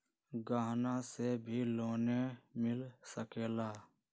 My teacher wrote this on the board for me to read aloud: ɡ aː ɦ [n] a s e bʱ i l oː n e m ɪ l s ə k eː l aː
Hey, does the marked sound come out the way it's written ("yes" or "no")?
yes